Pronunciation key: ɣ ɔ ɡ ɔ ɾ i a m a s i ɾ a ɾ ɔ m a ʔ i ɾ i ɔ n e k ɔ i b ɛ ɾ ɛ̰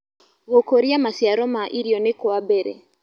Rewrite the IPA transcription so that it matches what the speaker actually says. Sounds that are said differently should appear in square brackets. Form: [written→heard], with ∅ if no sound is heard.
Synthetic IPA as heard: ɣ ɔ [ɡ→k] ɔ ɾ i a m a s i [ɾ→∅] a ɾ ɔ m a ʔ i ɾ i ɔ n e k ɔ [i→a] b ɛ ɾ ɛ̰